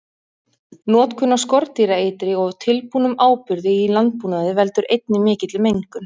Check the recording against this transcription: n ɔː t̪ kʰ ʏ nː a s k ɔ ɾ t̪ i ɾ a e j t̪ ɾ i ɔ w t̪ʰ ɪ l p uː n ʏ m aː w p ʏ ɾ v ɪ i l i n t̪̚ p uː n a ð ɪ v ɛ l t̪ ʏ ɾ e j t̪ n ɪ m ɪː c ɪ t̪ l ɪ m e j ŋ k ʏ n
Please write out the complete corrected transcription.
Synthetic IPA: n ɔː t̪ kʰ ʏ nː a s k ɔ ɾ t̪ i ɾ a e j t̪ ɾ ɪ ɔ ɣ t̪ʰ ɪ l p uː n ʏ m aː w p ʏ ɾ ð ɪ i l a n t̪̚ p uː n a ð ɪ v ɛ l t̪ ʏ ɾ e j t̪ n ɪ m ɪː c ɪ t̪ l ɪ m e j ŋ k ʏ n